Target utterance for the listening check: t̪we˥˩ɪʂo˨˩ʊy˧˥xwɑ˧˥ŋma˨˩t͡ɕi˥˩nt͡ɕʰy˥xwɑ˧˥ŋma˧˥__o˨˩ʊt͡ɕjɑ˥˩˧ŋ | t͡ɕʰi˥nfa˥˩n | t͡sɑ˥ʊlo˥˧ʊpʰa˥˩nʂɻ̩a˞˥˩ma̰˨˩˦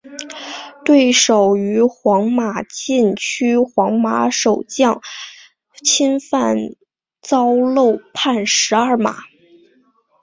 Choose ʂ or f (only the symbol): ʂ